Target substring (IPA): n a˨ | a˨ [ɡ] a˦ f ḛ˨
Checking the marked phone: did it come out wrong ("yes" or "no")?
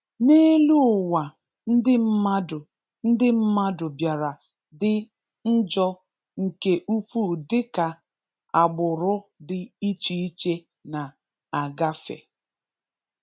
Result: no